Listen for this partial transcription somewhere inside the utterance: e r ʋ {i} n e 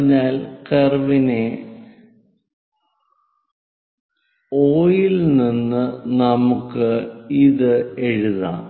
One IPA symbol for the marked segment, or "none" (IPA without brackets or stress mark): i